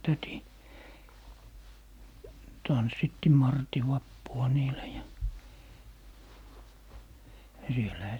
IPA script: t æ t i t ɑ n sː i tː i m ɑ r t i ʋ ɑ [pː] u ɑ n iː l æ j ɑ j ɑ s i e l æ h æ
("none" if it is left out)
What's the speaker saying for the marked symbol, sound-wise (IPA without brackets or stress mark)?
pː